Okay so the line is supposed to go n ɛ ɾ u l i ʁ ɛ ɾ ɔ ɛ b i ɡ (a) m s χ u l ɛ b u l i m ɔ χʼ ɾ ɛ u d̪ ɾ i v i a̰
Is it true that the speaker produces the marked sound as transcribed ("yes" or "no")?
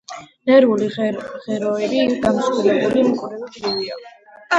yes